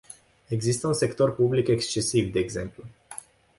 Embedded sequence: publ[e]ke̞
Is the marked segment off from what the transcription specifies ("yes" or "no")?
yes